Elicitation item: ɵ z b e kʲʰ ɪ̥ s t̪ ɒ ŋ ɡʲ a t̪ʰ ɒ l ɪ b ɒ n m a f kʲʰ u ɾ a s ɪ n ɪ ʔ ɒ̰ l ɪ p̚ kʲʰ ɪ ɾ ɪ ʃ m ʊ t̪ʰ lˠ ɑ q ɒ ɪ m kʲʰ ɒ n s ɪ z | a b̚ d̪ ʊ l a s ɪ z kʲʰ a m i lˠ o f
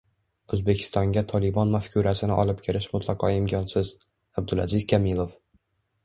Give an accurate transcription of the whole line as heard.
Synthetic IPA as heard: ɵ z b e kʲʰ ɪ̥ s t̪ ɒ ŋ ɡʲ a t̪ʰ ɒ l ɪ b ɒ n m a f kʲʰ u ɾ a s ɪ n ɪ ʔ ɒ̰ l ɪ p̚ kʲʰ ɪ ɾ ɪ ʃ m ʊ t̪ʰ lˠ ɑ q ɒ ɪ m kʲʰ ɒ n s ɪ z | a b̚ d̪ ʊ l a z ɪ z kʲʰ a m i lˠ o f